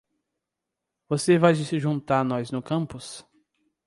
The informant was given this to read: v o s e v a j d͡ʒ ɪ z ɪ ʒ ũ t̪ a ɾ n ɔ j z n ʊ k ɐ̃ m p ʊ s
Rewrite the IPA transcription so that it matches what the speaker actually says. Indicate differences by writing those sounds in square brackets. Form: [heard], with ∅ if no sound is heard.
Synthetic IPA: v o s e v a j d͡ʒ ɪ [s] ɪ ʒ ũ t̪ a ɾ n ɔ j z n ʊ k ɐ̃ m p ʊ s

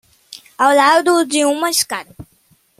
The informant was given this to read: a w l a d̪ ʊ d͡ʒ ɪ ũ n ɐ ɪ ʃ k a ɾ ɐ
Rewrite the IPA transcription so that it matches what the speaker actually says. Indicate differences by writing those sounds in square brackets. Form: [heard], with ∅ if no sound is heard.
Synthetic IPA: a w l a d̪ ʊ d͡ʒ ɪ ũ [m] ɐ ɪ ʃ k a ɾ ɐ

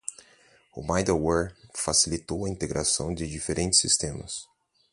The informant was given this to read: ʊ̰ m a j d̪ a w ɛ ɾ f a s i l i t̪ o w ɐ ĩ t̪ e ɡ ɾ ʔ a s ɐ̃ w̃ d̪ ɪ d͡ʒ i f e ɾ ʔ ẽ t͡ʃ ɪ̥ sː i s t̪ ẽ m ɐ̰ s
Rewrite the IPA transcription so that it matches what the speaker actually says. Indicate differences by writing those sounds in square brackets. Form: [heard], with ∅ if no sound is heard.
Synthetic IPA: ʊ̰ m a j d̪ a w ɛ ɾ f a s i l i t̪ o w ɐ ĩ t̪ e ɡ ɾ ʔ a s ɐ̃ w̃ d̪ ɪ d͡ʒ i f e ɾ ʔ ẽ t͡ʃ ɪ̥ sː i s t̪ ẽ m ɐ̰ s

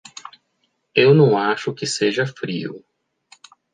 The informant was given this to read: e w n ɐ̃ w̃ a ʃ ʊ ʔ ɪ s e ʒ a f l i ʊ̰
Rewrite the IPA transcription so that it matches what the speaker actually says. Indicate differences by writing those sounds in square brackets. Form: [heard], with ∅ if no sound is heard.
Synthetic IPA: e w n ɐ̃ w̃ a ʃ ʊ [k] ɪ s e ʒ [ɐ] f [ɾ] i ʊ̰

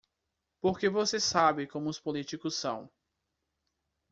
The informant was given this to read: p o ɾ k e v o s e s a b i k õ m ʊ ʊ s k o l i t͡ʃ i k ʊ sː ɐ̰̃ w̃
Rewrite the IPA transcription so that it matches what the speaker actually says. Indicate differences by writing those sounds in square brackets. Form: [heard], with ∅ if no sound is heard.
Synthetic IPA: p o ɾ k e v o s e s a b [ɪ] k õ m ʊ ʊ s [p] o l i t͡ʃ i k ʊ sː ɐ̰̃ w̃

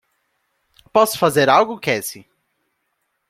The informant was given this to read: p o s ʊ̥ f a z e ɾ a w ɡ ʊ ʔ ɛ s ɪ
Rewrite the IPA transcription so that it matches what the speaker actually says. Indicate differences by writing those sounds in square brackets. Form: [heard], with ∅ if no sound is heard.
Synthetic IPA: p [ɔ] s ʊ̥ f a z e ɾ a w ɡ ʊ [k] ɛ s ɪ

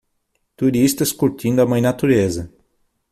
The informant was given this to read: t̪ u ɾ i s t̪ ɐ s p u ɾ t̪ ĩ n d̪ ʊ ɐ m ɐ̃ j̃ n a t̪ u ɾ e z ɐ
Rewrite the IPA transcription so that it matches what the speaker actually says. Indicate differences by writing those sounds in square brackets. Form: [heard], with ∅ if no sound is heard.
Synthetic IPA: t̪ u ɾ i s t̪ ɐ s [k] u ɾ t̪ ĩ n d̪ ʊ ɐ m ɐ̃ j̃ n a t̪ u ɾ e z ɐ

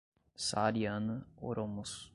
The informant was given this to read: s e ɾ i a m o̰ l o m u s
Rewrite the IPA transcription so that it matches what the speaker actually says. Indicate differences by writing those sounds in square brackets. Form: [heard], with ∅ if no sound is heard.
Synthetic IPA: s [a] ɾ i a [n] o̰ [ɾ] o m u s

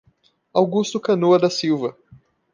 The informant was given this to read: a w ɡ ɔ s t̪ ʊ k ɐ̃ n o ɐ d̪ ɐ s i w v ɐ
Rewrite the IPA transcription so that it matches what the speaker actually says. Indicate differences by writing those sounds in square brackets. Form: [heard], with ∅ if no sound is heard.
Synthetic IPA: a w ɡ [u] s t̪ ʊ k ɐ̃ n o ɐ d̪ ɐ s i w v ɐ

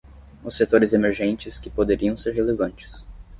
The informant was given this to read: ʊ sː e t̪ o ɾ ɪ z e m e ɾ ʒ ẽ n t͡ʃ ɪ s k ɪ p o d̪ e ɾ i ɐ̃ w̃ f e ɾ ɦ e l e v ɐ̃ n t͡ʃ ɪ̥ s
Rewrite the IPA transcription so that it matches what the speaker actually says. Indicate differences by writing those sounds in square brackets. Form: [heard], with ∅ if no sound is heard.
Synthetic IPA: ʊ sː e t̪ o ɾ ɪ z e m e ɾ ʒ ẽ n t͡ʃ ɪ s k ɪ p o d̪ e ɾ i ɐ̃ w̃ [s] e ɾ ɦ e l e v ɐ̃ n t͡ʃ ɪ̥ s

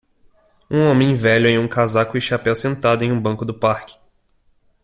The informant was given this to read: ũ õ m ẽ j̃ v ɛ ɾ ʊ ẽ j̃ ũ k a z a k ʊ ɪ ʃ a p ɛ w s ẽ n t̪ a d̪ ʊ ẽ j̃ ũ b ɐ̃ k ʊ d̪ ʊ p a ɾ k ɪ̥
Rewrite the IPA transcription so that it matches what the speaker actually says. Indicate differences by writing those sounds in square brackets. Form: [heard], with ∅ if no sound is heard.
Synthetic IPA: ũ õ m ẽ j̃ v ɛ [ʎ] ʊ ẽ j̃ ũ k a z a k ʊ ɪ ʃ a p ɛ w s ẽ n t̪ a d̪ ʊ ẽ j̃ ũ b ɐ̃ k ʊ d̪ ʊ p a ɾ k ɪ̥

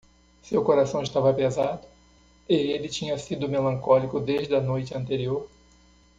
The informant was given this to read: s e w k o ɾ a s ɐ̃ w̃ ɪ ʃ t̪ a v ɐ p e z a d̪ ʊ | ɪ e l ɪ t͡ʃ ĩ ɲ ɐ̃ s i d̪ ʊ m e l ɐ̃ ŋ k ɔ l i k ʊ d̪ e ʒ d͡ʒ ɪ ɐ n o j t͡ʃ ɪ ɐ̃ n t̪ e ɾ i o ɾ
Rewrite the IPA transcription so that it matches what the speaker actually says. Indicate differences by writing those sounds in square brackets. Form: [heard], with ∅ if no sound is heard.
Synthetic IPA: s e w k o ɾ a s ɐ̃ w̃ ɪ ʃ t̪ a v ɐ p e z a d̪ ʊ | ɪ e l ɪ t͡ʃ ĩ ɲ [ɐ] s i d̪ ʊ m e l ɐ̃ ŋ k ɔ l i k ʊ d̪ e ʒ d͡ʒ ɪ ɐ n o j t͡ʃ ɪ ɐ̃ n t̪ e ɾ i o ɾ

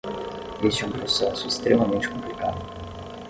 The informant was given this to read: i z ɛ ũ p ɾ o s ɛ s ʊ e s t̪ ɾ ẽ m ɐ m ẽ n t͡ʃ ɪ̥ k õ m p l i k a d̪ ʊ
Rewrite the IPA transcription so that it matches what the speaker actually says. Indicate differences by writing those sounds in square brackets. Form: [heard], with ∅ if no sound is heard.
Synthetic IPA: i [s] ɛ ũ p ɾ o s ɛ s ʊ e s t̪ ɾ [e] m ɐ m ẽ n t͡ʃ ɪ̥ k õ m p l i k a d̪ ʊ

